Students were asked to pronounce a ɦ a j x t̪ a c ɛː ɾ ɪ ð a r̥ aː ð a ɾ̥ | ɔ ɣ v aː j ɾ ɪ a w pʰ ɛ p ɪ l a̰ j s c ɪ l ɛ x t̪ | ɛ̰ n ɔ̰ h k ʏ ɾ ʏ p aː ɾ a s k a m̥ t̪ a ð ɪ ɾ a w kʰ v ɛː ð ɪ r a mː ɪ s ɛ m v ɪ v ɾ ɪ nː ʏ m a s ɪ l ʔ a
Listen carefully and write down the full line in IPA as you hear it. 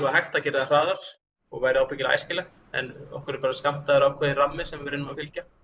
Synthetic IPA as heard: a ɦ a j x t̪ a c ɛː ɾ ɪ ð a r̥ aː ð a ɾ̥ | ɔ ɣ v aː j ɾ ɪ a w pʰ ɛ c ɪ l a̰ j s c ɪ l ɛ x t̪ | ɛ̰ n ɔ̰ h k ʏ ɾ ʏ p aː ɾ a s k a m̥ t̪ a ð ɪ ɾ a w kʰ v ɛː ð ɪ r a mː ɪ s ɛ m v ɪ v ɾ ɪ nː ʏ m a f ɪ l c a